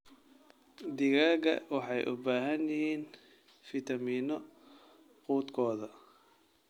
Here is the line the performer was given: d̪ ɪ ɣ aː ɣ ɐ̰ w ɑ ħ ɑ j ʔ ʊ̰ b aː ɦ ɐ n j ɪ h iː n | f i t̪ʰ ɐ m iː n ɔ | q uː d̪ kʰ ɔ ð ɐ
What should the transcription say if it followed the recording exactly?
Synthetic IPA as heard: d̪ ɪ ɣ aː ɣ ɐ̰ w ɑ ħ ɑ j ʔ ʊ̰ b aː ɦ ɐ n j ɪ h iː n | f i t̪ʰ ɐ m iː n ɔ | q uː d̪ kʰ ɔː ð ɐ